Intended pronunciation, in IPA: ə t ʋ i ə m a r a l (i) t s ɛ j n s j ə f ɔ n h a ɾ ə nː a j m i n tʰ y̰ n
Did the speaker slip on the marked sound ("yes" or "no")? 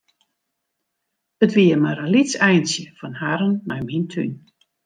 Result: no